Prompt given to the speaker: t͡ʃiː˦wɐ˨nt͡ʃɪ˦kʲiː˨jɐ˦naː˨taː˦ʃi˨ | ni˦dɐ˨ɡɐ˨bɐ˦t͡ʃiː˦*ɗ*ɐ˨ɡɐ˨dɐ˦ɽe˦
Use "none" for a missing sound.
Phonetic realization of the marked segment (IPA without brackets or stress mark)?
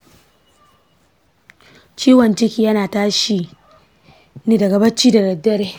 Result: d